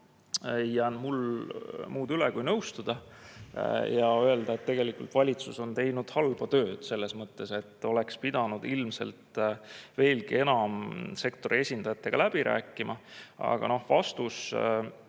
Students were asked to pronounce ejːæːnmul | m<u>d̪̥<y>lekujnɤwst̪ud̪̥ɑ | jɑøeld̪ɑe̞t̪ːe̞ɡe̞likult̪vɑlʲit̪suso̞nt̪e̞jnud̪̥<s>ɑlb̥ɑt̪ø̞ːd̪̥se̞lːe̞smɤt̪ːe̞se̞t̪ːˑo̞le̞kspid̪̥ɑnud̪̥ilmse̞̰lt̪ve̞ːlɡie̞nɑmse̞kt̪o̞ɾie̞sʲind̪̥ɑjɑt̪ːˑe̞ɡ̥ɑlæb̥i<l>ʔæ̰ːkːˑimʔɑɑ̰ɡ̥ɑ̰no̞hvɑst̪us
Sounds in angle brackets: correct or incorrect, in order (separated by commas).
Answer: incorrect, correct, incorrect, incorrect